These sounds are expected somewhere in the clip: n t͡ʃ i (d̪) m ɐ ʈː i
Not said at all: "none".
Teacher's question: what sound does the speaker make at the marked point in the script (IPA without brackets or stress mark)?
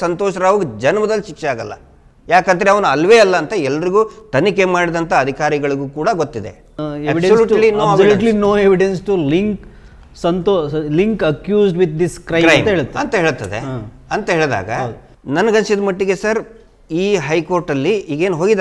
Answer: d̪